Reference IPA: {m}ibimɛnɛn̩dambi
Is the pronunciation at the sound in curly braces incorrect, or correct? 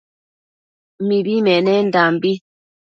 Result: correct